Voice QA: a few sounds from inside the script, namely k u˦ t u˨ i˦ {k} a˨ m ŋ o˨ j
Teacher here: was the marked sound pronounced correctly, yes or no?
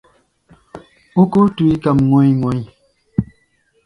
yes